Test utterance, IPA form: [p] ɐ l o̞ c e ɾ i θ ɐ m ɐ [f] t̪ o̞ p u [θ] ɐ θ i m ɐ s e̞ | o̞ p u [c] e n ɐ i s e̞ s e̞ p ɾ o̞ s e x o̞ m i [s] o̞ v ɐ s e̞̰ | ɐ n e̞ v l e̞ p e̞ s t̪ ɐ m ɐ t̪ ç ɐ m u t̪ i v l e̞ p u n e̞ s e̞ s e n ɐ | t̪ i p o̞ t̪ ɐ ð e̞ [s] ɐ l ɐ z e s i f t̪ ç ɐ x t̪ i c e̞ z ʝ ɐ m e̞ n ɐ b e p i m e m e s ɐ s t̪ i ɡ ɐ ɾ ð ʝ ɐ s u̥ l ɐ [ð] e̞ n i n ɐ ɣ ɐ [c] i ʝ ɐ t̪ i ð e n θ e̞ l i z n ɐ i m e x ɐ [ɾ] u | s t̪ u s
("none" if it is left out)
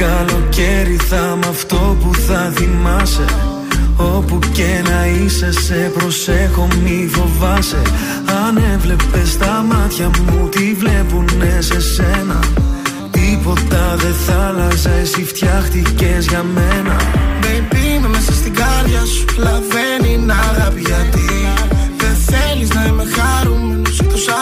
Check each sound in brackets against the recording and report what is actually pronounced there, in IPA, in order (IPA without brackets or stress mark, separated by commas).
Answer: k, f, θ, c, f, θ, v, p, ɾ